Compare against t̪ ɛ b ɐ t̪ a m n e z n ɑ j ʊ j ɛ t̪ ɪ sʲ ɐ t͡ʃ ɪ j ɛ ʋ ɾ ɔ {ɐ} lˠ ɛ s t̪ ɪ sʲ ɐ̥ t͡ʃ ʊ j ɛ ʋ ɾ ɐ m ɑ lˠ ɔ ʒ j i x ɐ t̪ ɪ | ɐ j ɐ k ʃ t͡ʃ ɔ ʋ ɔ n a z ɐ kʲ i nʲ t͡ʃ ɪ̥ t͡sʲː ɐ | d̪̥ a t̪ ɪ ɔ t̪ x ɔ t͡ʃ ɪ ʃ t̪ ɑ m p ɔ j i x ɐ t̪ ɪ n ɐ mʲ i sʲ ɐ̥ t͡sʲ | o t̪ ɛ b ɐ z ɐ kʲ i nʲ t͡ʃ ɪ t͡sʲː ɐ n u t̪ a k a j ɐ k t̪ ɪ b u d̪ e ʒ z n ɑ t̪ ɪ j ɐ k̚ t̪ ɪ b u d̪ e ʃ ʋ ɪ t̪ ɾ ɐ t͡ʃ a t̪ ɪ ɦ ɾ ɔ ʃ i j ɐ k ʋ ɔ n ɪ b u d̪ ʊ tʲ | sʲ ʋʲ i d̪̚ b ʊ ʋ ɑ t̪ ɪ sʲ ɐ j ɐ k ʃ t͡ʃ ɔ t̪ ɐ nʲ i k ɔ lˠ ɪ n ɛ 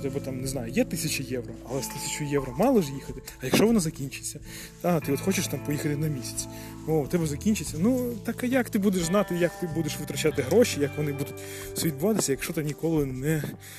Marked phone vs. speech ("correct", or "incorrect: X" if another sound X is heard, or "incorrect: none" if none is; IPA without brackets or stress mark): correct